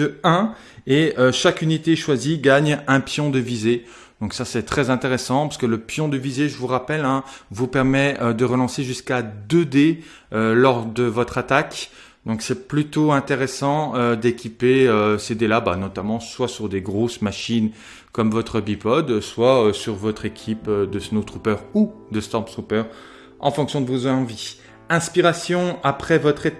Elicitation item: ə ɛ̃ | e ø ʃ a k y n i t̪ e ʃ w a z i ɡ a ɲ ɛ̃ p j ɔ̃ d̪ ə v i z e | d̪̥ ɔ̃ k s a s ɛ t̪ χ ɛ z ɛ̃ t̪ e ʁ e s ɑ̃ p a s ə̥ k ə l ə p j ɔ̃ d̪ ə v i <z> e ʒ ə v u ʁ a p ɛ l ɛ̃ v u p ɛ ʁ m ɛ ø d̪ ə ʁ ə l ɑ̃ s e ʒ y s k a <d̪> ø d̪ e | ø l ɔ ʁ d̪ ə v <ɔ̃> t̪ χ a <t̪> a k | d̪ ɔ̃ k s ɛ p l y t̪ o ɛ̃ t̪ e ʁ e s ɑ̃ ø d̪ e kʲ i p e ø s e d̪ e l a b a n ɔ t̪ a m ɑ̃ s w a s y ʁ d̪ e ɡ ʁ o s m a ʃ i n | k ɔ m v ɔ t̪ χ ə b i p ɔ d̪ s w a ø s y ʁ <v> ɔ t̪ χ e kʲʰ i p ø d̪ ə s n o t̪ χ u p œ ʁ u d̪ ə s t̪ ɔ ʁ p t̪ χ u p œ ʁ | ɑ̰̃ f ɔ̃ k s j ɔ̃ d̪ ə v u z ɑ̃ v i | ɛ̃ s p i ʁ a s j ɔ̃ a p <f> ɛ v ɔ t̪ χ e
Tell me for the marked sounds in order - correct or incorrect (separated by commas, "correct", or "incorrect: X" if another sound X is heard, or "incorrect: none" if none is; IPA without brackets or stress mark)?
correct, correct, incorrect: ɔ, correct, correct, incorrect: χ